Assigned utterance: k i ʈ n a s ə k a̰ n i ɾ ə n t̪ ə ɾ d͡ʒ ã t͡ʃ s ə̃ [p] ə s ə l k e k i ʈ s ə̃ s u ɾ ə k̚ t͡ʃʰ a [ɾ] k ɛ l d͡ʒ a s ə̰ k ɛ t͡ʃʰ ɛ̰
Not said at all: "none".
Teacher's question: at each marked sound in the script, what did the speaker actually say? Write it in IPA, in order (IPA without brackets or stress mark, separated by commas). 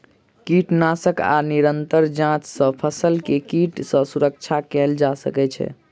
pʰ, none